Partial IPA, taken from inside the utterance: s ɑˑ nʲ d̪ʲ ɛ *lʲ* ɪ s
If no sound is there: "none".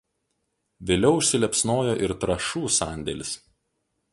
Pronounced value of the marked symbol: lʲ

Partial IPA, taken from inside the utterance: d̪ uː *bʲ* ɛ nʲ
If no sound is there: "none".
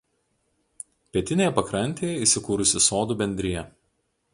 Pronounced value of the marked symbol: bʲ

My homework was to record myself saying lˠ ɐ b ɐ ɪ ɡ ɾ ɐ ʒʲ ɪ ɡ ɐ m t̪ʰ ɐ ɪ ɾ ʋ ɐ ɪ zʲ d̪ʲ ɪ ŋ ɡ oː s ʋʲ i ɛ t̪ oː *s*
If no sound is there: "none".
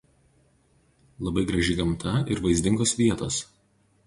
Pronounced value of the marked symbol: s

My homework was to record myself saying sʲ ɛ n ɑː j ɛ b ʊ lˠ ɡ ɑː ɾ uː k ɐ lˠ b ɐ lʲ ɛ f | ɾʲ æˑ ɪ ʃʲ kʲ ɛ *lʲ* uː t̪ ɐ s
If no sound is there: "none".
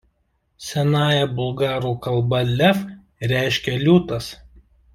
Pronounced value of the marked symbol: lʲ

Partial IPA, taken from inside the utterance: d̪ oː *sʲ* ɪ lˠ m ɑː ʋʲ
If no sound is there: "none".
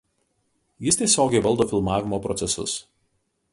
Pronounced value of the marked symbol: fʲ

